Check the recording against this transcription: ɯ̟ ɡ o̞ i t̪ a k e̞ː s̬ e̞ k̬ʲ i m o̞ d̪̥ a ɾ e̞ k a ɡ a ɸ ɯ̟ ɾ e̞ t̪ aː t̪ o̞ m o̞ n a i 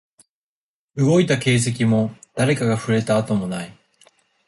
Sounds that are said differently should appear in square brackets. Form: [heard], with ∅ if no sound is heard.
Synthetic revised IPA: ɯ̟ ɡ o̞ i t̪ a k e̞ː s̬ e̞ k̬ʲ i m o̞ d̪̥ a ɾ e̞ k a ɡ a ɸ ɯ̟ ɾ e̞ t̪ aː t̪ o̞ m o̞ n a i